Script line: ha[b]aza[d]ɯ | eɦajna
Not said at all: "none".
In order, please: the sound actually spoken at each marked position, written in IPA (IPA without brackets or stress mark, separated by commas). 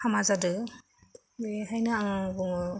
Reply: m, d